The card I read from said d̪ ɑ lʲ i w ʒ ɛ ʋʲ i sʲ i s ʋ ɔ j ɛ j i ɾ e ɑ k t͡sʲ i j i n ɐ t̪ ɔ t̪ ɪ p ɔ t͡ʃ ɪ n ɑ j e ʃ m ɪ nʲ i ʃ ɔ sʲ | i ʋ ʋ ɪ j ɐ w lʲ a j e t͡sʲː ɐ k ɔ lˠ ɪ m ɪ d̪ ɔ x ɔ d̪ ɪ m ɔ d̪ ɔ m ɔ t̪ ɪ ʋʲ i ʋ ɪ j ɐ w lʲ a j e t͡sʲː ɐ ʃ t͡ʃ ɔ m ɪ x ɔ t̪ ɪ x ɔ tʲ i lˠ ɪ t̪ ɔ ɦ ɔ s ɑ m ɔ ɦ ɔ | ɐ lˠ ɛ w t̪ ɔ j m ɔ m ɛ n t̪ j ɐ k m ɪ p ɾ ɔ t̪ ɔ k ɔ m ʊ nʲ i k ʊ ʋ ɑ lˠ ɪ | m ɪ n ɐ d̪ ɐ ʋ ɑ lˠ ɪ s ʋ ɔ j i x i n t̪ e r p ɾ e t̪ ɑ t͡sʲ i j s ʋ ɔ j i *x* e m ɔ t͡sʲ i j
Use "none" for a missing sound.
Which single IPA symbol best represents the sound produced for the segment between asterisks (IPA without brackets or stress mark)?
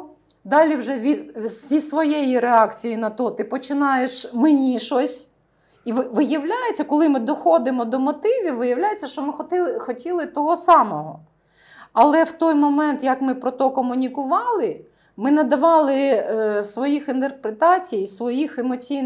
x